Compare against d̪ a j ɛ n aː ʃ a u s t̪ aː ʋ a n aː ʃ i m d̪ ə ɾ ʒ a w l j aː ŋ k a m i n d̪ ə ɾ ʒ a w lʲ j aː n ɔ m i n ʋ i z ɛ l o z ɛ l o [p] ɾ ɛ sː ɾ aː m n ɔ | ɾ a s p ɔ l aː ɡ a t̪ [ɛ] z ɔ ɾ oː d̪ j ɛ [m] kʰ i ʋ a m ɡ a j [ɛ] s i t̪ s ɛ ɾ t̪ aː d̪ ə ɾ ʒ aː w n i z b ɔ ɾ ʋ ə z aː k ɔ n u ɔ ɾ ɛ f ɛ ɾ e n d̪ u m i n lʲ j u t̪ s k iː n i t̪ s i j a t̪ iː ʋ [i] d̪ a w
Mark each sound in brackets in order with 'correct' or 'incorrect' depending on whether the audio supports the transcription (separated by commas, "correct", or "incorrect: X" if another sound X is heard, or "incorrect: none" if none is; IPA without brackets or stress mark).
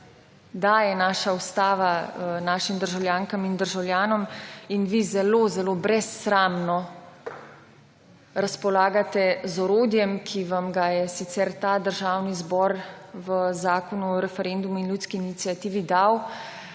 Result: incorrect: b, correct, correct, correct, correct